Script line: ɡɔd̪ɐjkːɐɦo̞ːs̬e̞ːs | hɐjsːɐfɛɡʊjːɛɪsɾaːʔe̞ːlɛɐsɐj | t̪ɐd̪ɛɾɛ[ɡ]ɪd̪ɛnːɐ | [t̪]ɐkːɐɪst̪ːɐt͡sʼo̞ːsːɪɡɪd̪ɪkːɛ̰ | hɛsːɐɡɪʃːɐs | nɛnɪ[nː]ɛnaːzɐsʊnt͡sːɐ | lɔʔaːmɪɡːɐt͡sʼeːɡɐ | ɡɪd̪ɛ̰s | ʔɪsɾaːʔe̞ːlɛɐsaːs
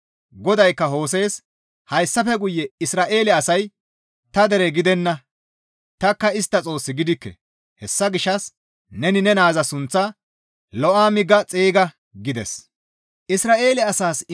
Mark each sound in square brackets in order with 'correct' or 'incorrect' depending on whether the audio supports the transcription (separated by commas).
correct, correct, incorrect